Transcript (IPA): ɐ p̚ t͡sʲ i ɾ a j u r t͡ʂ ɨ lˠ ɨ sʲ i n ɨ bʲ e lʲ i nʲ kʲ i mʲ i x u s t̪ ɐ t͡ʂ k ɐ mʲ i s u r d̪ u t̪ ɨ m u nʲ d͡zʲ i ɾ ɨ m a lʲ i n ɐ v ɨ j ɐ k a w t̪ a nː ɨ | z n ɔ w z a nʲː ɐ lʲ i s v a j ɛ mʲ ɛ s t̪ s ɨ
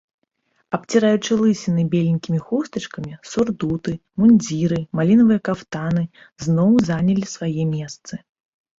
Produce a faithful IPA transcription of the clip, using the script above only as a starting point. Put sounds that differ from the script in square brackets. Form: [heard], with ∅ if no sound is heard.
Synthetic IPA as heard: ɐ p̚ t͡sʲ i ɾ a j u [∅] t͡ʂ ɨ lˠ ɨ sʲ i n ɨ bʲ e lʲ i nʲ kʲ i mʲ i x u s t̪ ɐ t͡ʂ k ɐ mʲ i s u r d̪ u t̪ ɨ m u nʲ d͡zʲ i ɾ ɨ m a lʲ i n ɐ v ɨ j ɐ k a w t̪ a [n] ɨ | z n ɔ w z a [nʲ] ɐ lʲ i s v a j ɛ mʲ ɛ s t̪ s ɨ